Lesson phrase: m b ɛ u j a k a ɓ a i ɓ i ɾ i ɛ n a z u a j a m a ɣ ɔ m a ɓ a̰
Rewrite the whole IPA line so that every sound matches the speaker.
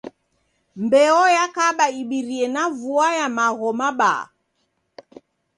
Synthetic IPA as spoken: m b ɛ ɔ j a k a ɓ a i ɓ i ɾ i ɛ n a v u a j a m a ɣ ɔ m a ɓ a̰